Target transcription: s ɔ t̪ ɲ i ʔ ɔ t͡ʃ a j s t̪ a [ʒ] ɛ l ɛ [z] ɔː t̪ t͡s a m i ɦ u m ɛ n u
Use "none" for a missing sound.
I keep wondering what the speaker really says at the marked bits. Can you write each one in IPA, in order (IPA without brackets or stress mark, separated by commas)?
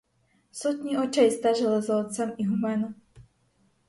ʒ, z